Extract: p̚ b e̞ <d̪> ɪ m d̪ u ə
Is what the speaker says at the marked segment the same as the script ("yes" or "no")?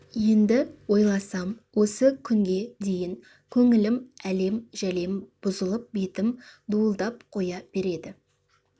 no